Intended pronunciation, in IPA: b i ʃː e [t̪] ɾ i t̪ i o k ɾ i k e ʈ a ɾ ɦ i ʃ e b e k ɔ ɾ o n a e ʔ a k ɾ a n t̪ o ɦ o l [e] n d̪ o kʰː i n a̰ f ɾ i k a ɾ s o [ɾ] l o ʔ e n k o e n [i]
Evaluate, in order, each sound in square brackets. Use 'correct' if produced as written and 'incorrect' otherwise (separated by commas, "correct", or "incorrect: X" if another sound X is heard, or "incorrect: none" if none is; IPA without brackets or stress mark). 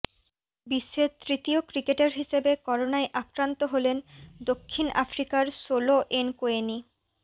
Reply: correct, correct, incorrect: none, correct